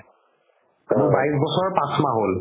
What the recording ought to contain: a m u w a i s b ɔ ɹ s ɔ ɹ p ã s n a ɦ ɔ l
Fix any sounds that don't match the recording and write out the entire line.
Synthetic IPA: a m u b a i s b ɔ s ɔ ɹ p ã s m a ɦ o l